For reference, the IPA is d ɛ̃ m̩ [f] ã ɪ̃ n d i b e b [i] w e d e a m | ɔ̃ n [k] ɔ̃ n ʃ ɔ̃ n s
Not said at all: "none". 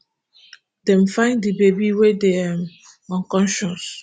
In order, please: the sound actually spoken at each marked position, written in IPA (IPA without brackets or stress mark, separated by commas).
f, i, k